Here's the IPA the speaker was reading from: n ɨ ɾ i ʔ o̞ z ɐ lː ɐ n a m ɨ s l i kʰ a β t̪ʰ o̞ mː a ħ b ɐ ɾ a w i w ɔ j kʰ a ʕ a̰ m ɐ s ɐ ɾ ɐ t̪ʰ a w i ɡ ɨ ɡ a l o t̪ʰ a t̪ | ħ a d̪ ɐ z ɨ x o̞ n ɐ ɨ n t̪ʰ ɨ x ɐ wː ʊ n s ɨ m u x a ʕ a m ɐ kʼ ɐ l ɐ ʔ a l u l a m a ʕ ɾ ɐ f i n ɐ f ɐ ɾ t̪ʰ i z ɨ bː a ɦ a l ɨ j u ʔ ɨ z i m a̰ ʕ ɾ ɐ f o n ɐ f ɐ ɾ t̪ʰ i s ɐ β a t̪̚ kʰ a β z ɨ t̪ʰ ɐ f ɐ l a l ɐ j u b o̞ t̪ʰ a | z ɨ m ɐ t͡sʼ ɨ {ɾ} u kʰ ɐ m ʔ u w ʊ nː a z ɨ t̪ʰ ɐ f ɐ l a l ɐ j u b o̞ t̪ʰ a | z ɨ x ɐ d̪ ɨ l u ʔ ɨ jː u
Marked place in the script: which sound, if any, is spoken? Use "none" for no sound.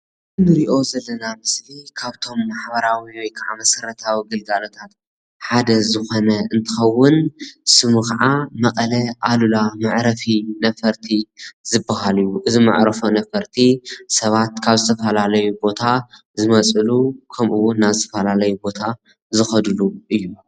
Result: l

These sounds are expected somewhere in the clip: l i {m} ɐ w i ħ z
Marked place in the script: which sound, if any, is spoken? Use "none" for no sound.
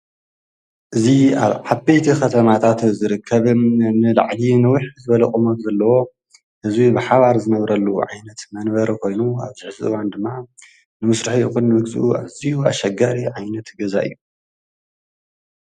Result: n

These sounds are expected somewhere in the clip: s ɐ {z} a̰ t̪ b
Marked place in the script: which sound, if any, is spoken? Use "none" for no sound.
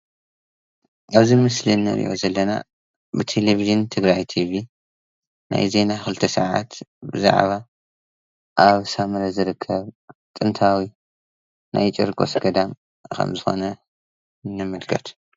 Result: ʕ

